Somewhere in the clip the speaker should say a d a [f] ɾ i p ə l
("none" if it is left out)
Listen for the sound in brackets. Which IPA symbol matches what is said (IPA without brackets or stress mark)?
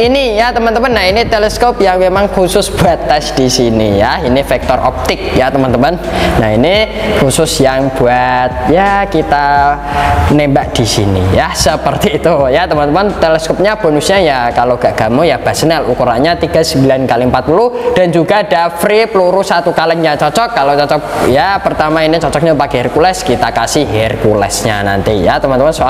f